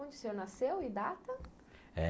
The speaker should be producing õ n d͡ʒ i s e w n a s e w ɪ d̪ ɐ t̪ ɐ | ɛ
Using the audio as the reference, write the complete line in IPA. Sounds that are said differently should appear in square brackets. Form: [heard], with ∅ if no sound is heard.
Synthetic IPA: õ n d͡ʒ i s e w n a s e w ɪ d̪ [a] t̪ ɐ | ɛ